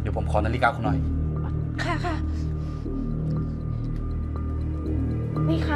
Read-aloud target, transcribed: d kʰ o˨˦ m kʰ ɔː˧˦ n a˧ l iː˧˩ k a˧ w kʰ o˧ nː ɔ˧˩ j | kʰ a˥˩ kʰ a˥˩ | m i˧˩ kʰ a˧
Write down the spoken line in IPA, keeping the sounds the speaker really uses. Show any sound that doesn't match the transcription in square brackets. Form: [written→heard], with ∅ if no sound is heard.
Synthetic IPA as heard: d [kʰ→pʰ] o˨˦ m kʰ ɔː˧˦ n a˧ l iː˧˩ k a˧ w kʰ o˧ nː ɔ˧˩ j | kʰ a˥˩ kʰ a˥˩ | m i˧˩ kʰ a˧